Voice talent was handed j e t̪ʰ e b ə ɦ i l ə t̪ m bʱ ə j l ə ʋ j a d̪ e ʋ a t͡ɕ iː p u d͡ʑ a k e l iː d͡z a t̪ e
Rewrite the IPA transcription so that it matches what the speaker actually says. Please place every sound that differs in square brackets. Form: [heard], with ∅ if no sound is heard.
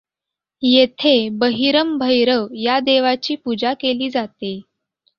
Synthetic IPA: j e t̪ʰ e b ə ɦ i [ɾ] ə [∅] m bʱ ə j [ɾ] ə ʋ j a d̪ e ʋ a t͡ɕ iː p u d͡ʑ a k e l iː d͡z a t̪ e